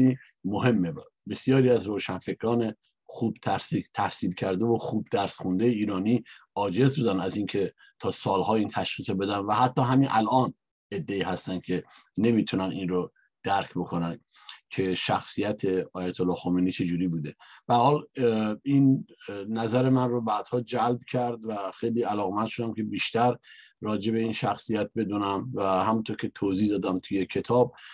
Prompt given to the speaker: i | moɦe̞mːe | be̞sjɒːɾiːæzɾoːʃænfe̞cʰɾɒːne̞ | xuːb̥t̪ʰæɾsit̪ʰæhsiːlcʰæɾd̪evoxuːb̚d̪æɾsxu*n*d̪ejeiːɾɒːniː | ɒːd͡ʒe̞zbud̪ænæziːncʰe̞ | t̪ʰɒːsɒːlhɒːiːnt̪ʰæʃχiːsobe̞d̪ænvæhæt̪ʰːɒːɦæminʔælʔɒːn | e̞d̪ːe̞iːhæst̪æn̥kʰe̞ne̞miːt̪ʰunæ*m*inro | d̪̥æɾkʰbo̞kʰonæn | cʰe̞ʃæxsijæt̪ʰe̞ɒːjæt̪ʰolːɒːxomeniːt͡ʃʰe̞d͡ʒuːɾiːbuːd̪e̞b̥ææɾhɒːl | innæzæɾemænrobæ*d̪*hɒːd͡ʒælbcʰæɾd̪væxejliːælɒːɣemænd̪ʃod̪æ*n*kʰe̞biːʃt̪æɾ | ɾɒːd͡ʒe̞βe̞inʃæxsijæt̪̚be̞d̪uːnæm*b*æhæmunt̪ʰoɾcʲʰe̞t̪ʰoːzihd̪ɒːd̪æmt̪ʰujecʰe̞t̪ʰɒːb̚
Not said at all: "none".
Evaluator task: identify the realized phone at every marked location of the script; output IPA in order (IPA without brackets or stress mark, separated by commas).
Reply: n, n, d̪, m, v